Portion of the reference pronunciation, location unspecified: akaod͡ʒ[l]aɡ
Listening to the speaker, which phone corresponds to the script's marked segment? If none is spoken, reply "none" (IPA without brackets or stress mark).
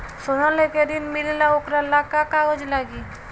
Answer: l